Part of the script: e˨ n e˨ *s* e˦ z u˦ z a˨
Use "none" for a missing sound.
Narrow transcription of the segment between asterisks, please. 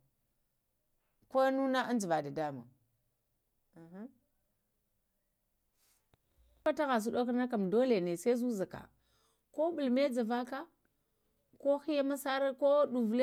s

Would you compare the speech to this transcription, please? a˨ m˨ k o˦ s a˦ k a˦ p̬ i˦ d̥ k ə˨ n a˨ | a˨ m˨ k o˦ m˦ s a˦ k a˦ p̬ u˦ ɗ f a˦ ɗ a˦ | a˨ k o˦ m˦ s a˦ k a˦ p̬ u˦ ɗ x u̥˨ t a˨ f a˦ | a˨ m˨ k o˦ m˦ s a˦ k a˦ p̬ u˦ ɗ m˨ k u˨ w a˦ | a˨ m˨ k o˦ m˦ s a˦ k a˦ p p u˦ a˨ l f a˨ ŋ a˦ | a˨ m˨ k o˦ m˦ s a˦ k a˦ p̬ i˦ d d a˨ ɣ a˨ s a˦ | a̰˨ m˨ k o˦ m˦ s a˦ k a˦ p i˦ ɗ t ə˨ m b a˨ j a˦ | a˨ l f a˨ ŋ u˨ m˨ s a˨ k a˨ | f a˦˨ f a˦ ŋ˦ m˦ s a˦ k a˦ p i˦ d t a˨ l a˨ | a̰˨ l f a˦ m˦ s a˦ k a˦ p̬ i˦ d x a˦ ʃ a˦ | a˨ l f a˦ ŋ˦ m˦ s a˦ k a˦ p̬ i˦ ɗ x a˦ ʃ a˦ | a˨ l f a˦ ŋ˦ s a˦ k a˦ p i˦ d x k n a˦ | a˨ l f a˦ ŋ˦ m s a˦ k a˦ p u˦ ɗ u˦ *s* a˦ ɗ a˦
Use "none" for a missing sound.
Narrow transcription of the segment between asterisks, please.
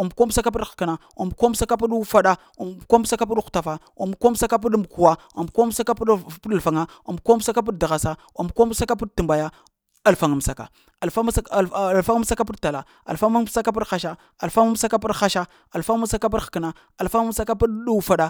f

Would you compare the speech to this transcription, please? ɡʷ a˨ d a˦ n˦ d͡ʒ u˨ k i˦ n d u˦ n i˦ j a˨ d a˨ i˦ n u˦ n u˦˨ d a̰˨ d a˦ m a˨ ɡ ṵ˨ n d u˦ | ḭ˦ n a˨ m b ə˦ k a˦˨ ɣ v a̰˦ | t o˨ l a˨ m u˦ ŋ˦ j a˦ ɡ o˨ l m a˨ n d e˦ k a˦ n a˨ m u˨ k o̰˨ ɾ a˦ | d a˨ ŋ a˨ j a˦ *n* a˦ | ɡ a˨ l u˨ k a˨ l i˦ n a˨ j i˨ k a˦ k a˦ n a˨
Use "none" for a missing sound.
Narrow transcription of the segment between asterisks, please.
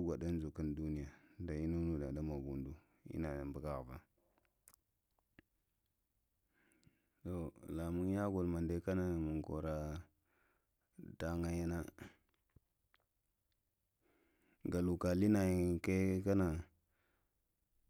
n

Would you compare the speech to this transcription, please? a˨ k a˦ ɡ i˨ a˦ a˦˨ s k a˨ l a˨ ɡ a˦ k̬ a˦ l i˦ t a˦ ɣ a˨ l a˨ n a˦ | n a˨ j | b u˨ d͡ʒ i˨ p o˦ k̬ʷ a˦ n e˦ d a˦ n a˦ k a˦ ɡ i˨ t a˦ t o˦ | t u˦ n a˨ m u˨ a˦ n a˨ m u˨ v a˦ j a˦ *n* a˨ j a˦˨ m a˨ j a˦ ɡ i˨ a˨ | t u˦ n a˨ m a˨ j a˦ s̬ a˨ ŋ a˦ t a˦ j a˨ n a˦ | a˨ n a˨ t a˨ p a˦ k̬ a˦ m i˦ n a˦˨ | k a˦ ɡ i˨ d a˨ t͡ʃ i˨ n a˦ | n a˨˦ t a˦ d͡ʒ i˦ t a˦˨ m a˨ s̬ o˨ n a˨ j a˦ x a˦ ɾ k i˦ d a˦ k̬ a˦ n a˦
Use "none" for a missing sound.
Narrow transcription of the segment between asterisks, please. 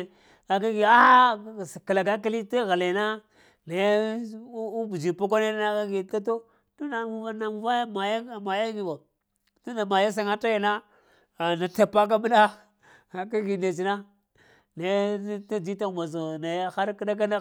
m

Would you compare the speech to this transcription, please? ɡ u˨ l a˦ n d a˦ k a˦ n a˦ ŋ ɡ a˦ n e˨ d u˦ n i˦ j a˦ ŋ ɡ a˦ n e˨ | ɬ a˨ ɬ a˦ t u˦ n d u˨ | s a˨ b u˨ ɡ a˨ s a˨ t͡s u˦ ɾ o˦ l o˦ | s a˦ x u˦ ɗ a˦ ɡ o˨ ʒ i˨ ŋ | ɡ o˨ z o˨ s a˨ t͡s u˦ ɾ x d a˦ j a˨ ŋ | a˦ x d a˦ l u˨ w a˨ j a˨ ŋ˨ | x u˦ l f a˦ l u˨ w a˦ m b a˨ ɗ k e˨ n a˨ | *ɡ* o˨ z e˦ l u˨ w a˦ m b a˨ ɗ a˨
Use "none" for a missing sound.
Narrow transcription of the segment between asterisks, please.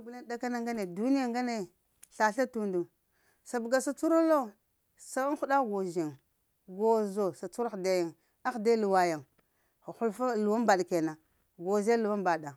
ɡ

